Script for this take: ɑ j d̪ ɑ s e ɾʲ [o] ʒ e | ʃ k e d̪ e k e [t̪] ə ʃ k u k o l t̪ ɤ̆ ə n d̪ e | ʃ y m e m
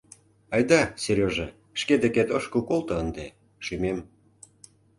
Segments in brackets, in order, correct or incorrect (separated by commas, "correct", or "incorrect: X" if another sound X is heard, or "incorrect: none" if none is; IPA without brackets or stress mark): correct, correct